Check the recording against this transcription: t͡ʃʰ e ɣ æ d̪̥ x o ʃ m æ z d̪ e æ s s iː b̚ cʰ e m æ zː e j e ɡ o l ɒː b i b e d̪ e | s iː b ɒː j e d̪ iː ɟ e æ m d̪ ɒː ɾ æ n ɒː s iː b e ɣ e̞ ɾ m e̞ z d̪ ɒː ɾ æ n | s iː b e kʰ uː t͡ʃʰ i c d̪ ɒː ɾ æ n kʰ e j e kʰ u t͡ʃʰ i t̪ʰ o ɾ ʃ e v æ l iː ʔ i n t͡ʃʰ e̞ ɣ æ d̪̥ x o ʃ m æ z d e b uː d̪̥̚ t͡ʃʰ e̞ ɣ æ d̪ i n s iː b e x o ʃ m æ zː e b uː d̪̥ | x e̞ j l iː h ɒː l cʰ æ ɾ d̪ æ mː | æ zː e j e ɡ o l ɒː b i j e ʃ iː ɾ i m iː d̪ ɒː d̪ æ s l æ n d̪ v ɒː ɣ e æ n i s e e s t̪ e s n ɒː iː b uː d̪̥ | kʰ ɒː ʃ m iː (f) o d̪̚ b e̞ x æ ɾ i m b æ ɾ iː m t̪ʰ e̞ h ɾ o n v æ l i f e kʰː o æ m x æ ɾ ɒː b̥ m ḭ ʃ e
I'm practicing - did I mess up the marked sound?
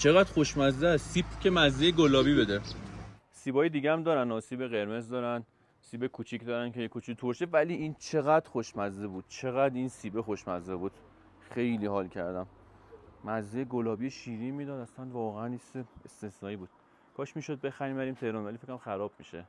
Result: yes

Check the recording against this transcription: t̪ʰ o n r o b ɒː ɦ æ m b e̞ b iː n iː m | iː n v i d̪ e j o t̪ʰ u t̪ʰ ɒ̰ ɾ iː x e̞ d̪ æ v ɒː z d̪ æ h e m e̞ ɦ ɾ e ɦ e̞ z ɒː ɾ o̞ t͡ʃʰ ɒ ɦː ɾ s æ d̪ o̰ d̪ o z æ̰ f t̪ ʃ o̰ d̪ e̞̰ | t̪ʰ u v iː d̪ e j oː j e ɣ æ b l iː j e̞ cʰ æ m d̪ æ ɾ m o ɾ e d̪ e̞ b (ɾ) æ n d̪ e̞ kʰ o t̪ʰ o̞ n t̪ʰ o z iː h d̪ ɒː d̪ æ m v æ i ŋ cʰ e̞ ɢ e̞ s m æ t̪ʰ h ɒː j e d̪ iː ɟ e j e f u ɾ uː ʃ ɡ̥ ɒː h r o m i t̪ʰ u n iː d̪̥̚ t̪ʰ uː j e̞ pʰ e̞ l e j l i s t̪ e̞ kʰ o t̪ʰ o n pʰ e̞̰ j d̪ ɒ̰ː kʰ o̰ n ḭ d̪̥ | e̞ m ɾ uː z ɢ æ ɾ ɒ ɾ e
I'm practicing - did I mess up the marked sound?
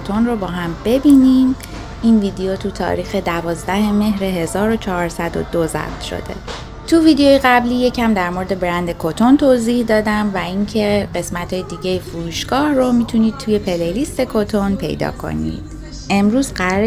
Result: no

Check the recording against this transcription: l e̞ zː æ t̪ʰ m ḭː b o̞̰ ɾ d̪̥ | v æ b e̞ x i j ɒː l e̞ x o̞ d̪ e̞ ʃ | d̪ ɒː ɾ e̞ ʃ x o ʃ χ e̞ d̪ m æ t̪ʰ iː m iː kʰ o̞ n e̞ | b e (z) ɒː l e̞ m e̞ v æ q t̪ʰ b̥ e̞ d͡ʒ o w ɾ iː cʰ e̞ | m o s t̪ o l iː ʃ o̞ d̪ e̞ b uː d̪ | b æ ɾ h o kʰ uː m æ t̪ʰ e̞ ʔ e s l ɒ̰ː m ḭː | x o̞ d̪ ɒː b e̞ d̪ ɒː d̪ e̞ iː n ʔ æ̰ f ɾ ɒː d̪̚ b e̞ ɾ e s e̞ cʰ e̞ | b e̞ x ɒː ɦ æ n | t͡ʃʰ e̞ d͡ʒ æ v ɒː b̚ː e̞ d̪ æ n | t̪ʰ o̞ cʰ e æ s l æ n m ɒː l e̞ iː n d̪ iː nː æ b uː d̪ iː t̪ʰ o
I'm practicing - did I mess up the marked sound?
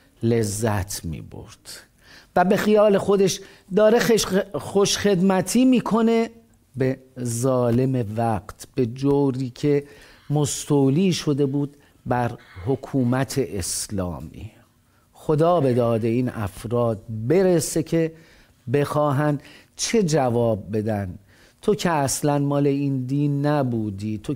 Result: no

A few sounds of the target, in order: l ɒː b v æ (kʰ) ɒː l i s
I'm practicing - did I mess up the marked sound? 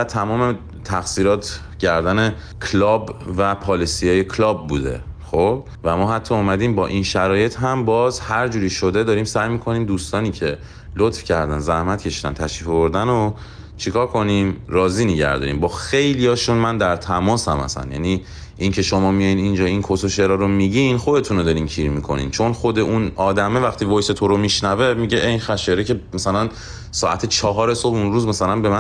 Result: yes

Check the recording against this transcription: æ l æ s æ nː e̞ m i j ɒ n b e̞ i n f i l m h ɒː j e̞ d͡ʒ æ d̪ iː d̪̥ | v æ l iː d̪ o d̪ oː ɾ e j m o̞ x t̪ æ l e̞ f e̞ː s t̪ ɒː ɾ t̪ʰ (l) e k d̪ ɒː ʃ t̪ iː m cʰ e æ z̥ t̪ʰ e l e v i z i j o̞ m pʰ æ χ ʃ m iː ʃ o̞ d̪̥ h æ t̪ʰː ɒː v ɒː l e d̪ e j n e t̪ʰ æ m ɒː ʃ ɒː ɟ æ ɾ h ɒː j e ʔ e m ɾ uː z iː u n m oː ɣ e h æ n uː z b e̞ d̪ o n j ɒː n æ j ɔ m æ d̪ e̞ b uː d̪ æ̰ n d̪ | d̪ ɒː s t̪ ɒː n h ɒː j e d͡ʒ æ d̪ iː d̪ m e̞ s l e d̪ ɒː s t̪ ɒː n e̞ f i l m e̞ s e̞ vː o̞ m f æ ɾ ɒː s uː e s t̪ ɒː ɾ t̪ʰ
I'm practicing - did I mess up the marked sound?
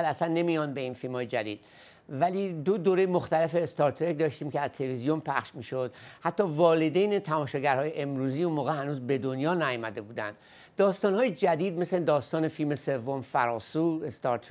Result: yes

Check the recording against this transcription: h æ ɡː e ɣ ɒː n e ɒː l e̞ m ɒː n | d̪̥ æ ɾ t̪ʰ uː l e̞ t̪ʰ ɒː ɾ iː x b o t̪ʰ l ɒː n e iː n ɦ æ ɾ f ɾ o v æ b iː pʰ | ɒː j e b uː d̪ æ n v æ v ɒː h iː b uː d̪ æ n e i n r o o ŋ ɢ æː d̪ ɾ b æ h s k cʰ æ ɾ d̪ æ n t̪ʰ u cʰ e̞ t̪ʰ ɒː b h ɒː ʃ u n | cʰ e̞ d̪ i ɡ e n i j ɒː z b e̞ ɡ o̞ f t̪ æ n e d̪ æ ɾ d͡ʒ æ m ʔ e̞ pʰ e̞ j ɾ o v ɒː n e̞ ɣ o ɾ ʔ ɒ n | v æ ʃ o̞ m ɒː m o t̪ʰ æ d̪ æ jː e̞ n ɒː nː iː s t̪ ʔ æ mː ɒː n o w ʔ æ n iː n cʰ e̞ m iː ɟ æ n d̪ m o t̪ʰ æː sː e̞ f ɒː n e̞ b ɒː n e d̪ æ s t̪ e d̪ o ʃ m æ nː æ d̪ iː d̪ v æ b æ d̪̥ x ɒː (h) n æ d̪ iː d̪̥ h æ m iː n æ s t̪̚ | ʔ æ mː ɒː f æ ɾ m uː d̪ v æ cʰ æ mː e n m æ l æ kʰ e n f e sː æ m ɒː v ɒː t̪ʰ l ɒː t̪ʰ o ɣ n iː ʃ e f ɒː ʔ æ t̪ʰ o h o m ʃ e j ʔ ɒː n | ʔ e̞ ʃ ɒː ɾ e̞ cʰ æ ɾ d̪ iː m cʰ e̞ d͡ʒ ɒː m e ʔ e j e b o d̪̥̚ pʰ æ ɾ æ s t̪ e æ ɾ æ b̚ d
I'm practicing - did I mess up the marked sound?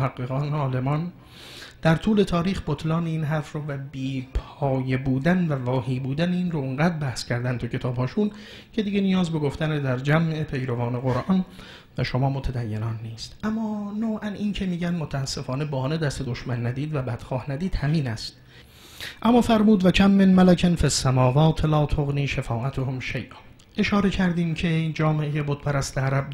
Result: no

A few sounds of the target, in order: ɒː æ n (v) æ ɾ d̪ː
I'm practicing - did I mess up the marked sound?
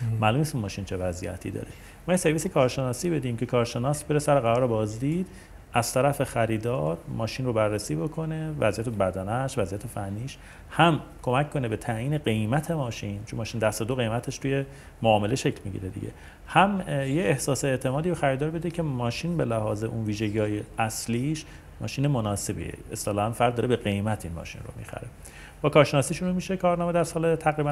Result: yes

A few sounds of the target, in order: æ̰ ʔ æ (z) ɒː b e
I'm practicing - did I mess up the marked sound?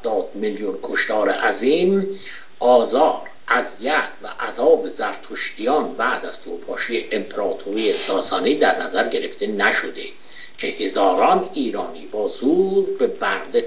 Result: no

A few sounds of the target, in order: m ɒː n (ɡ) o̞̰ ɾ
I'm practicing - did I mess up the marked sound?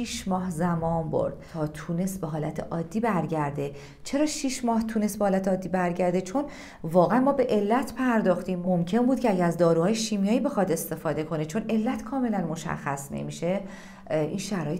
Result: yes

